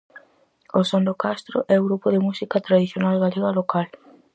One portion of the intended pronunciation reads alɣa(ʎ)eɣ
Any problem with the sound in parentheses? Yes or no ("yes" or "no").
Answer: yes